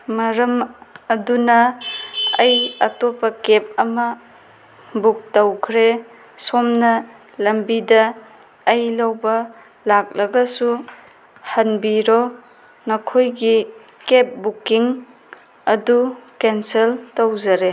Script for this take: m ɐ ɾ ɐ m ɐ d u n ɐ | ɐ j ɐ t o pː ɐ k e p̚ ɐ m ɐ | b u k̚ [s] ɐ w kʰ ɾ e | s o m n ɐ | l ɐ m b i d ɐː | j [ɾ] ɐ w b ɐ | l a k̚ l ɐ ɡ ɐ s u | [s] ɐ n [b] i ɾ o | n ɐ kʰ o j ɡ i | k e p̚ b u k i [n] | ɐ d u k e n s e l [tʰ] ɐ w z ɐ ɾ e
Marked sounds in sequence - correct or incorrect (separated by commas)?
incorrect, incorrect, incorrect, correct, incorrect, incorrect